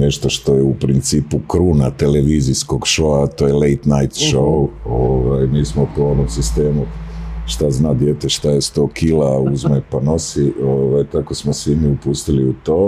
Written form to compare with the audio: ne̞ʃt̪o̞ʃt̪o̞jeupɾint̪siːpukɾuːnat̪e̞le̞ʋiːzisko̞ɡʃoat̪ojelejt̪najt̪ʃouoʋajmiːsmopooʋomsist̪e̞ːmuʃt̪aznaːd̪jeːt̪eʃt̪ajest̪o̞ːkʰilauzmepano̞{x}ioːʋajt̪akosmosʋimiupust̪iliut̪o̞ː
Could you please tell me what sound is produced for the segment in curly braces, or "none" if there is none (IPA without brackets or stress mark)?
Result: s